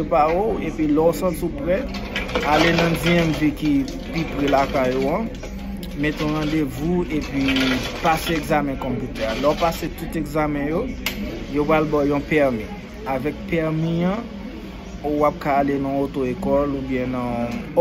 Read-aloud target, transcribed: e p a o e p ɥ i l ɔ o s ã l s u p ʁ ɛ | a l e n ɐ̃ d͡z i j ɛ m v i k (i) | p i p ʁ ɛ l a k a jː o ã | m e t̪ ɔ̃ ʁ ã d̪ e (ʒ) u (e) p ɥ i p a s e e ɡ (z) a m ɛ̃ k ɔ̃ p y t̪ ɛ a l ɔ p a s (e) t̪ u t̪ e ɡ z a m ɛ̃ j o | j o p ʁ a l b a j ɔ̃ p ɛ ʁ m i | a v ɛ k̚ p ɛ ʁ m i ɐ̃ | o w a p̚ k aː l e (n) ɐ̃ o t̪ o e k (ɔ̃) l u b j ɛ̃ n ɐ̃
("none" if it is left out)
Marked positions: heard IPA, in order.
i, v, e, z, e, n, ɔ

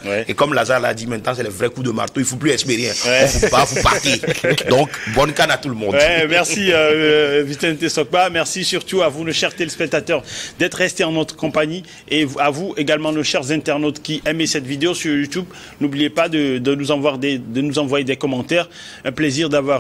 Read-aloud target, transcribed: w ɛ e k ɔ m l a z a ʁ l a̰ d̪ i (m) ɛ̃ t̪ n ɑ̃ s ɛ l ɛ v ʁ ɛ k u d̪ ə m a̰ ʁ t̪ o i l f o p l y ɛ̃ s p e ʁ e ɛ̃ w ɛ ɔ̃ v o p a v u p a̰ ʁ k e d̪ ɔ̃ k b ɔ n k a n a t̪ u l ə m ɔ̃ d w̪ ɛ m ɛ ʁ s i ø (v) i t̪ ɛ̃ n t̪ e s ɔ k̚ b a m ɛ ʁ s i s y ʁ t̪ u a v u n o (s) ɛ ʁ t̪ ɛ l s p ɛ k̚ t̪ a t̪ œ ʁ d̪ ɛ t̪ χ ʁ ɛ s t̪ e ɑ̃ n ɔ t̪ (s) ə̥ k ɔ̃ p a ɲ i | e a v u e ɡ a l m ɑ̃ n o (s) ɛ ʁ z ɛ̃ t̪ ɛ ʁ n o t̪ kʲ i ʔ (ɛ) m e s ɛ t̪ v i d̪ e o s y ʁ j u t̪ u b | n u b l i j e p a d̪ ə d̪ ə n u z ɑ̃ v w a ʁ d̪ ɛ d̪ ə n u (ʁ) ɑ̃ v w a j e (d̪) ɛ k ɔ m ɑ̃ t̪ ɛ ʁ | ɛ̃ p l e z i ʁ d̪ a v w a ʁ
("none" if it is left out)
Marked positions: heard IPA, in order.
m, v, ʃ, χ, ʃ, ɛ, z, d̪

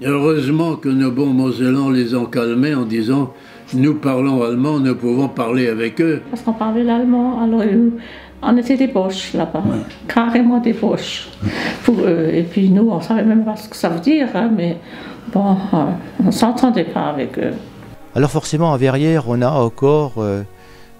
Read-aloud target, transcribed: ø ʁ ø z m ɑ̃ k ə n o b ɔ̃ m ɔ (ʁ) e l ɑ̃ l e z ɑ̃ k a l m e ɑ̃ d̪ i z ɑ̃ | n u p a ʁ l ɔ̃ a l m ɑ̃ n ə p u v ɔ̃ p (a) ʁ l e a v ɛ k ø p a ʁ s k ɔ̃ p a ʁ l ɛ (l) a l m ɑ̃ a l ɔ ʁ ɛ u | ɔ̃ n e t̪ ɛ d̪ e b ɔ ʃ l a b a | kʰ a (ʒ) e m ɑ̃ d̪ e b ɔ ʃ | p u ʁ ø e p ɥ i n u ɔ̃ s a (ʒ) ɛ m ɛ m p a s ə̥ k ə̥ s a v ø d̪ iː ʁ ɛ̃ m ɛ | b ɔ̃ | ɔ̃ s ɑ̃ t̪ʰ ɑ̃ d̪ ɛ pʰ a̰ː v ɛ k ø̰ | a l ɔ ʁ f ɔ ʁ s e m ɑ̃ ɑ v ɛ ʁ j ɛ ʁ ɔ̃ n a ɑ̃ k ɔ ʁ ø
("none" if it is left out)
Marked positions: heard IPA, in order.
z, a, l, ʁ, v

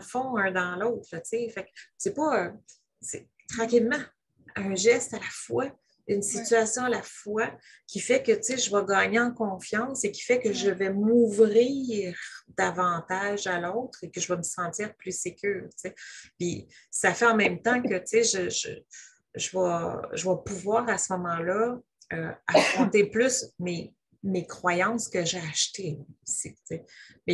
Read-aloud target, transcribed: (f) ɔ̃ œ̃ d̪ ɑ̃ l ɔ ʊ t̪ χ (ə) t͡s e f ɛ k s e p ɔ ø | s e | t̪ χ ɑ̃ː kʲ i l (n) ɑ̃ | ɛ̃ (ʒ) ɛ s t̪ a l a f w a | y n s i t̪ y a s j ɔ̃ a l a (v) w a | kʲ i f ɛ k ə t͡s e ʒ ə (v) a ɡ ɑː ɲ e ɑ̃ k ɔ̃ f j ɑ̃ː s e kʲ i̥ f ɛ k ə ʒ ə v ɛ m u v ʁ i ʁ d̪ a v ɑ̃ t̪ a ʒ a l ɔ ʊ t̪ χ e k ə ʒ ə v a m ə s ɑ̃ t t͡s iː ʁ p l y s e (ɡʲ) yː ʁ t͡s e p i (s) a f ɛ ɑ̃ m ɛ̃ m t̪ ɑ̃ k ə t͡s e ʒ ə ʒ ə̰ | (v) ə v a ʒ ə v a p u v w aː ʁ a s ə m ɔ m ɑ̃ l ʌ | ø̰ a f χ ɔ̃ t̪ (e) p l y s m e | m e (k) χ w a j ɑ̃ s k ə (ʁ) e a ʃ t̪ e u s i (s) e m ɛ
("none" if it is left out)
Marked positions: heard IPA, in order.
f, ə, m, ʒ, f, v, kʲ, s, ʒ, e, k, ʒ, t͡s

